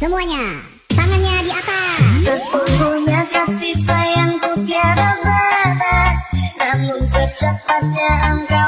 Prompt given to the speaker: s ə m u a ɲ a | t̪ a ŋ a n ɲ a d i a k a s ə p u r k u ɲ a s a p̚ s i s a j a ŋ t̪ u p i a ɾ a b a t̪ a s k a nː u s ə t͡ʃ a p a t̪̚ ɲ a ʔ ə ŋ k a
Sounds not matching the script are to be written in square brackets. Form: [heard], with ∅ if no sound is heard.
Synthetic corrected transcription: s ə m u a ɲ a | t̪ a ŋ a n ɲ a d i a k a s ə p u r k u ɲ a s a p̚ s i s a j a ŋ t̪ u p i a ɾ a b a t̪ a s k a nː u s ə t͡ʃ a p a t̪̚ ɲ a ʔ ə ŋ k a